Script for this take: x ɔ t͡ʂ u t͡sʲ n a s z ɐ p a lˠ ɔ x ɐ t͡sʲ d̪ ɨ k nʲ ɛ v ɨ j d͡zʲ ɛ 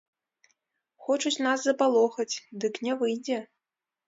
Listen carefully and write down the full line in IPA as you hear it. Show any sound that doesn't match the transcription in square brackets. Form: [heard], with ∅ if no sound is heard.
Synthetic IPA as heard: x ɔ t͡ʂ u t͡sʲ n a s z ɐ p a lˠ ɔ x ɐ t͡sʲ d̪ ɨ k nʲ ɛ v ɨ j d͡zʲ ɛ